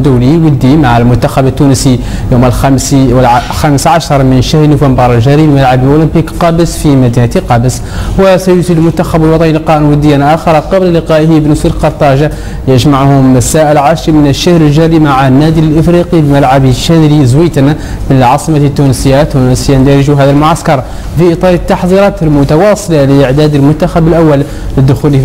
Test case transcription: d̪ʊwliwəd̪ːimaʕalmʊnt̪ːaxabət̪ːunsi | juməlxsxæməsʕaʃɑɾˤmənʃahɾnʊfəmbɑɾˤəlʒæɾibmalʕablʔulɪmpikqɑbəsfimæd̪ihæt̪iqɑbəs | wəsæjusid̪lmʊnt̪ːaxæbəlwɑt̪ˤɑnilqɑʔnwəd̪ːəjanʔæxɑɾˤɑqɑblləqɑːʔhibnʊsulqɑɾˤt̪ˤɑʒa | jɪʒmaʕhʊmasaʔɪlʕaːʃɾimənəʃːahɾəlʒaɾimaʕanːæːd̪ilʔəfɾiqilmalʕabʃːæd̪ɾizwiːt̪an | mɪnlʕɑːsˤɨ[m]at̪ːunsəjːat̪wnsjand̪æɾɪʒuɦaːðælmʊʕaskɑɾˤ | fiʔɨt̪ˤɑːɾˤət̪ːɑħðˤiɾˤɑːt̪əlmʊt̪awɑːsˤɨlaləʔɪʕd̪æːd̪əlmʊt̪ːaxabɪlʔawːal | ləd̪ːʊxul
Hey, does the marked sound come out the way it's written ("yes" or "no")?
yes